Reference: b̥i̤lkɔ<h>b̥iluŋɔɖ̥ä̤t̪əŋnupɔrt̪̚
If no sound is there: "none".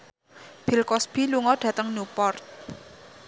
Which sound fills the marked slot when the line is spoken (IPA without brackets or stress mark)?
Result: s